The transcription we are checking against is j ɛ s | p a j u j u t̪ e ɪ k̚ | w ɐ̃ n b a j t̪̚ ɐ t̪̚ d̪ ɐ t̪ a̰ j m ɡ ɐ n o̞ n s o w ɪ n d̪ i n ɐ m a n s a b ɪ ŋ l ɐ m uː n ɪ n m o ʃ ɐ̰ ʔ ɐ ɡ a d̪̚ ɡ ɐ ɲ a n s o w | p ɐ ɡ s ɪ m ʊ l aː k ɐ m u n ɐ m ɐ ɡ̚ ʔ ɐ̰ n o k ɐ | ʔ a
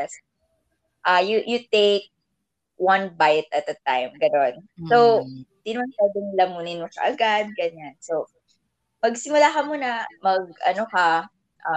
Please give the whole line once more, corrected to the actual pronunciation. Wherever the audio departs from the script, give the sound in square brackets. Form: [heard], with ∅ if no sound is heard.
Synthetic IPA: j ɛ s | [ʔ] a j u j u t̪ e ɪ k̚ | w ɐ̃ n b a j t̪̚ ɐ t̪̚ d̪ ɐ t̪ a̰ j m ɡ ɐ n o̞ n s o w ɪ n d̪ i n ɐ m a n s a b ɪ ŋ l ɐ m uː n ɪ n m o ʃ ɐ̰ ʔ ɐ ɡ a d̪̚ ɡ ɐ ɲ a n s o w | p ɐ ɡ s ɪ m ʊ l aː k ɐ m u n ɐ m ɐ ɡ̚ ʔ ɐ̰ n o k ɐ | ʔ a